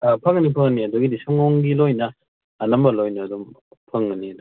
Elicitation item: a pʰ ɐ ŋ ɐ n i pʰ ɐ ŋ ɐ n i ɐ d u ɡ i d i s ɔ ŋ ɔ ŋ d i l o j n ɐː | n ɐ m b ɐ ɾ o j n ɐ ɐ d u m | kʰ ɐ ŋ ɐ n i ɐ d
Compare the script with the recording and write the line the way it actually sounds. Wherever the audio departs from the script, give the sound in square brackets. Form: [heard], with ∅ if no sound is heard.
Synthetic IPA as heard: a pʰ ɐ ŋ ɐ n i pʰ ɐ ŋ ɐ n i ɐ d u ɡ i d i s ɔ ŋ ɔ ŋ [ɡ] i l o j n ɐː | n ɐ m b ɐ [l] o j n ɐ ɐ d u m | [pʰ] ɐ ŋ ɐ n i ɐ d

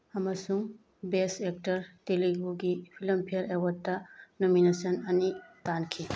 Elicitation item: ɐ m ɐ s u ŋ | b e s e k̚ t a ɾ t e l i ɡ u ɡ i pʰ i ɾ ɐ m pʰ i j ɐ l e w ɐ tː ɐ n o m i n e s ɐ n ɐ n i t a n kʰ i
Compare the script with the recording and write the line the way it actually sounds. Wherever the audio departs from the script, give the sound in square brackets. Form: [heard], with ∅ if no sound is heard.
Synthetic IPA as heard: ɐ m ɐ s u ŋ | b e s e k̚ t [ɐ] ɾ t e l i ɡ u ɡ i pʰ i [l] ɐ m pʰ i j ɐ [ɾ] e w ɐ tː ɐ n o m i n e s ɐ n ɐ n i t a n kʰ i

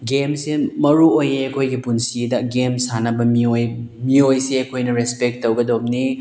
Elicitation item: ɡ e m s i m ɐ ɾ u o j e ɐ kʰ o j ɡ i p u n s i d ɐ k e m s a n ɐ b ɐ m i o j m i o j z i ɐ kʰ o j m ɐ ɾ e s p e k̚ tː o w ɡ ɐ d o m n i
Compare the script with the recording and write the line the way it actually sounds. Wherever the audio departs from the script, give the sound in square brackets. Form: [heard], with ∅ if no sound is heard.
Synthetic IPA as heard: ɡ e m s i m ɐ ɾ u o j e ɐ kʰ o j ɡ i p u n s i d ɐ [ɡ] e m s a n ɐ b ɐ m i o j m i o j [s] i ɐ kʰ o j [n] ɐ ɾ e s p e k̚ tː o w ɡ ɐ d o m n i

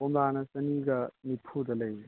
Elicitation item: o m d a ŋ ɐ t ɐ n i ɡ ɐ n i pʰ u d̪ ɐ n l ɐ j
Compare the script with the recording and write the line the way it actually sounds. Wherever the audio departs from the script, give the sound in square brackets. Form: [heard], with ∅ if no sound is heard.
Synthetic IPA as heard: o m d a [n] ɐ [s] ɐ n i ɡ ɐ n i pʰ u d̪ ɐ [∅] l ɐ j

